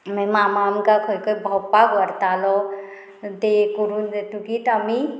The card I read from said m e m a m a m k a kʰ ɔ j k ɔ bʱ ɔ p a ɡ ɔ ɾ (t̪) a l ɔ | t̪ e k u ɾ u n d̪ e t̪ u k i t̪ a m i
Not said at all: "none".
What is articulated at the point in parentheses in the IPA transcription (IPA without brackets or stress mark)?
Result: t̪